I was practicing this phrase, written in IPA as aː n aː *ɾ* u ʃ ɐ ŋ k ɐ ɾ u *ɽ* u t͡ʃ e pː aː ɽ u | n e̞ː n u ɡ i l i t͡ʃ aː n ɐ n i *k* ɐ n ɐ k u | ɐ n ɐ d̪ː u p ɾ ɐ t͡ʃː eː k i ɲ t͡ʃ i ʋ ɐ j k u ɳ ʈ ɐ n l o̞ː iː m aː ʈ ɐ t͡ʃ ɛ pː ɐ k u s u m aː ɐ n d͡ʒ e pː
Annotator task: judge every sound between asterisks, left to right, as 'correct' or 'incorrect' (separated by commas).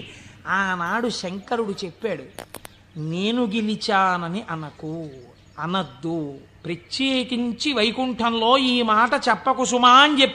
incorrect, correct, incorrect